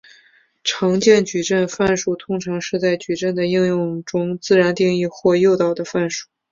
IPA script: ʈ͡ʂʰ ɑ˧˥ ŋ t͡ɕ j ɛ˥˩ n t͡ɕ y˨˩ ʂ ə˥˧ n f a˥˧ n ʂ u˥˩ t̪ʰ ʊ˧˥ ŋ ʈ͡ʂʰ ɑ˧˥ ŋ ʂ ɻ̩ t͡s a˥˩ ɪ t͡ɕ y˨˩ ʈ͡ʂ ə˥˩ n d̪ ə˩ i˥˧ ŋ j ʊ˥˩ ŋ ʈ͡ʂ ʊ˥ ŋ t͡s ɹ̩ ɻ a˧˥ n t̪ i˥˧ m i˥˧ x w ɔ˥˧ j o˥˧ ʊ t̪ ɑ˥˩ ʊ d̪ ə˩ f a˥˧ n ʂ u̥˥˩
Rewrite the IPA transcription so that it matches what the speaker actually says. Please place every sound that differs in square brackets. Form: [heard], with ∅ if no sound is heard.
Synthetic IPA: ʈ͡ʂʰ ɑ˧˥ ŋ t͡ɕ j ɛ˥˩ n t͡ɕ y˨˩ [ʈ͡ʂ] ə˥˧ n f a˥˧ n ʂ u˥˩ t̪ʰ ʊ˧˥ ŋ ʈ͡ʂʰ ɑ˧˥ ŋ ʂ ɻ̩ t͡s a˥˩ ɪ t͡ɕ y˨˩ ʈ͡ʂ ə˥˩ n d̪ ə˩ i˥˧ ŋ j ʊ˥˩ ŋ ʈ͡ʂ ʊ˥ ŋ t͡s ɹ̩ ɻ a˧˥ n t̪ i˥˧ [ŋ] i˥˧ x w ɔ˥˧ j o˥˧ ʊ t̪ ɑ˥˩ ʊ d̪ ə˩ f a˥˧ n ʂ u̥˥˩